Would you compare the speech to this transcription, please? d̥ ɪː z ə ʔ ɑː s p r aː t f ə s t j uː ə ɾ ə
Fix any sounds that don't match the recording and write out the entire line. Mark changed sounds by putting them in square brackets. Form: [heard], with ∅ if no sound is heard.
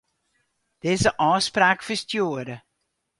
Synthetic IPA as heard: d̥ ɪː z ə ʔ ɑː s p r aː [k] f ə s t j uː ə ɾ ə

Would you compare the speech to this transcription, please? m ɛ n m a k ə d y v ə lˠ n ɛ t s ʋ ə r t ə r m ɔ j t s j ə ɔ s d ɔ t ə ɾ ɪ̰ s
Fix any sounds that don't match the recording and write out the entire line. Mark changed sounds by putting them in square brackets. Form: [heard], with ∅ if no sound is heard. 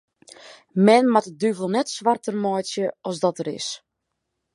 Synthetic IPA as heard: m ɛ n m a [t] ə d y v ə lˠ n ɛ t s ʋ [a] r t ə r m ɔ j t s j ə ɔ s d ɔ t ə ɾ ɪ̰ s

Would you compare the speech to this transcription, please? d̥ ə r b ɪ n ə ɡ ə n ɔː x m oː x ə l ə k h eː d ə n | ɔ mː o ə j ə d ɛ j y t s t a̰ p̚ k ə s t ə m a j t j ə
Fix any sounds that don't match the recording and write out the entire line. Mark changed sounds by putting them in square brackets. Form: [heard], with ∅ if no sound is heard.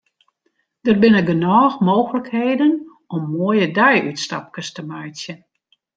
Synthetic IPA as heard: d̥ ə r b ɪ n ə ɡ ə n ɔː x m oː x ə l ə k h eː d ə n | ɔ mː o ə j ə d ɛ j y t s t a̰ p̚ k ə s t ə m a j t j ə

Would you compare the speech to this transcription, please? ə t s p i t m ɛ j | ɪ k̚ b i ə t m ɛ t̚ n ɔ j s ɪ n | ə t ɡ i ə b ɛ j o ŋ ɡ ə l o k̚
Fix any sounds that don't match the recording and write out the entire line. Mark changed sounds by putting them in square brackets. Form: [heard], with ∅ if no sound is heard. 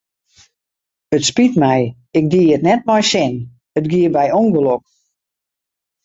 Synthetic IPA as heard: ə t s p i t m ɛ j | ɪ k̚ [d] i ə t [n] ɛ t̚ [m] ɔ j s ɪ n | ə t ɡ i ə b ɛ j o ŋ ɡ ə l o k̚

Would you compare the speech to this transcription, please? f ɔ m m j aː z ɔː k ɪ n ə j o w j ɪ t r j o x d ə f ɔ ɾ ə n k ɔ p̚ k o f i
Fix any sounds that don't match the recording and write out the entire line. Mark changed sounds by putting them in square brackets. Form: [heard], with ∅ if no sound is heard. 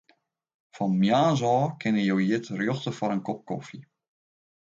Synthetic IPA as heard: f ɔ [n] m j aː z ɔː k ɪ n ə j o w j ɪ t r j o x [t] ə f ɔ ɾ ə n k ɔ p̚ k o f i

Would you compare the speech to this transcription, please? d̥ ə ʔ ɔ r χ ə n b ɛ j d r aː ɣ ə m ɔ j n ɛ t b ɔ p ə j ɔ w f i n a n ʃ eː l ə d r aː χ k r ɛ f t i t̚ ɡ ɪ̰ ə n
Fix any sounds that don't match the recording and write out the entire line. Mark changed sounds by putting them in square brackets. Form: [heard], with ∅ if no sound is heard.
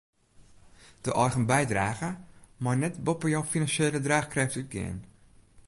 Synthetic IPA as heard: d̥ ə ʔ ɔ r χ ə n b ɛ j d r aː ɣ ə m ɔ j n ɛ t b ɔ p ə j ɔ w f i n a n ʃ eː l ə d r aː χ k r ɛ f t [y] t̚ ɡ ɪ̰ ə n

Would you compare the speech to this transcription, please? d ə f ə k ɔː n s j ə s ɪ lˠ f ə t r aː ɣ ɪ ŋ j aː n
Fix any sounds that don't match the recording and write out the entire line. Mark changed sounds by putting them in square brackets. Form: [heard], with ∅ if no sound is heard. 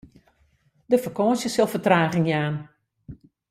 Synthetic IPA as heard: d ə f ə k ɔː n s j ə s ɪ lˠ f ə t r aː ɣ ɪ ŋ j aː n

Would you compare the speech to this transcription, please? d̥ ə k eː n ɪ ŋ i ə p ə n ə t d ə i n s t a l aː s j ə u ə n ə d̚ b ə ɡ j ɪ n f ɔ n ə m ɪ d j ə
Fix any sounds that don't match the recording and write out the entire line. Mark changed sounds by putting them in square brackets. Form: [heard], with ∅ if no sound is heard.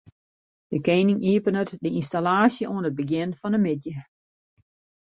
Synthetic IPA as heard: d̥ ə k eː n ɪ ŋ i ə p ə n ə t d ə i n s t a l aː s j ə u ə n ə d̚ b ə ɡ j ɪ n f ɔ n ə m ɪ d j ə

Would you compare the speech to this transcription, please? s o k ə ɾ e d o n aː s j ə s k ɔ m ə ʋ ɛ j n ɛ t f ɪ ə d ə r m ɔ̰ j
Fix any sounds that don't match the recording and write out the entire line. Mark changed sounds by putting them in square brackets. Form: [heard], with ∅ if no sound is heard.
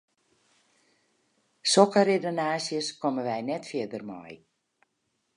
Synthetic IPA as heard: s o k ə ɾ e d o n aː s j ə s k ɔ m ə ʋ ɛ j n ɛ t f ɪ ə d ə r m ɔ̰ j

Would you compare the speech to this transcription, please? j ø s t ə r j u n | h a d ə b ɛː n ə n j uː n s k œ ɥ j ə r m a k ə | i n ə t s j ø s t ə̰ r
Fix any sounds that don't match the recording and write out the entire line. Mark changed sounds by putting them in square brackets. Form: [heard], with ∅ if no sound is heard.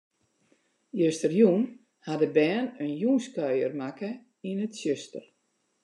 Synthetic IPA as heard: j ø s t ə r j u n | h a d ə b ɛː n ə n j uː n s k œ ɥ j ə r m a k ə | i n ə t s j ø s t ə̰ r

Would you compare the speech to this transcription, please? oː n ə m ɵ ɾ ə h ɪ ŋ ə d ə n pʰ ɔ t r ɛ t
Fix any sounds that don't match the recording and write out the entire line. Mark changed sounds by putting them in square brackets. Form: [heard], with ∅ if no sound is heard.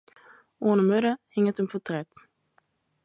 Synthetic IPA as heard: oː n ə m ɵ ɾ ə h ɪ ŋ ə [t] ə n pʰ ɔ t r ɛ t

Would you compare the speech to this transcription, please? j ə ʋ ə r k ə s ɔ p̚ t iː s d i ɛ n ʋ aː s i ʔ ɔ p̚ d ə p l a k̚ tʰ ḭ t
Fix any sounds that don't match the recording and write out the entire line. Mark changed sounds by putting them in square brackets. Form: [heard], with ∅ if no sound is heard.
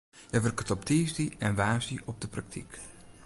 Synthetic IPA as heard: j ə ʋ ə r k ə [t] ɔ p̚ t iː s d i ɛ n ʋ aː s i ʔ ɔ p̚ d ə p [r] a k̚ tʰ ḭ [k]

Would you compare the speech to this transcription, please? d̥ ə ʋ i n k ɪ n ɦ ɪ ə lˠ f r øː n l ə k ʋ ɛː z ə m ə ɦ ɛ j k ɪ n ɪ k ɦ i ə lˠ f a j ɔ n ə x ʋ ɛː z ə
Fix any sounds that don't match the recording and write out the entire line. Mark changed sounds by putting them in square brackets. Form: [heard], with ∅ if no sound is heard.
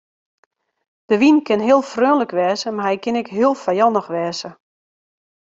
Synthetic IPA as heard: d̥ ə ʋ i n k ɪ n ɦ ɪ ə lˠ f r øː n l ə k ʋ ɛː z ə m [a] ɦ ɛ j k ɪ n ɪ k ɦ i ə lˠ f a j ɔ n ə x ʋ ɛː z ə

